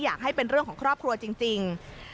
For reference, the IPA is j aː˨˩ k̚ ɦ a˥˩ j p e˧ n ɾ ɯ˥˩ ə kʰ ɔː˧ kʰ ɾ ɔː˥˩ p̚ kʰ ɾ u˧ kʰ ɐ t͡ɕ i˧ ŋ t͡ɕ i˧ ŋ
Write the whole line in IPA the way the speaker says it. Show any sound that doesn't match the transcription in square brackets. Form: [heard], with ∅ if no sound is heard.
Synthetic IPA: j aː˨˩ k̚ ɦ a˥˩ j p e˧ n ɾ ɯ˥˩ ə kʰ [ɔː˩˦] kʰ ɾ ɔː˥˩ p̚ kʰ ɾ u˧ [∅] ɐ t͡ɕ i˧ ŋ t͡ɕ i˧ ŋ